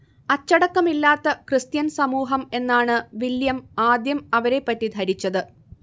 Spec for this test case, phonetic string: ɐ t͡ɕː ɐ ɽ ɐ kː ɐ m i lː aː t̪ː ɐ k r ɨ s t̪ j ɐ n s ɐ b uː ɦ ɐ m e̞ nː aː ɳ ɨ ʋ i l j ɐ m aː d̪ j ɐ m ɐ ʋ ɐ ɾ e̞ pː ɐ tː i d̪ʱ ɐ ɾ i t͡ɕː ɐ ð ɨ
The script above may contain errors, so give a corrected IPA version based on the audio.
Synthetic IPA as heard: ɐ t͡ɕː ɐ ɽ ɐ kː ɐ m i lː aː t̪ː ɐ k r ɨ s t̪ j ɐ n s ɐ m uː ɦ ɐ m e̞ nː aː ɳ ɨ ʋ i l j ɐ m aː d̪ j ɐ m ɐ ʋ ɐ ɾ e̞ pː ɐ tː i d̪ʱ ɐ ɾ i t͡ɕː ɐ ð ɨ